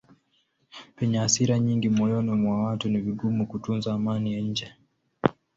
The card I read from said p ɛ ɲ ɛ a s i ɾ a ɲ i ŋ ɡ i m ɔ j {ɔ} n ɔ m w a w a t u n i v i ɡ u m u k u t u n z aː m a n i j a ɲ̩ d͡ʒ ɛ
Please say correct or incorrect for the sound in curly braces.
correct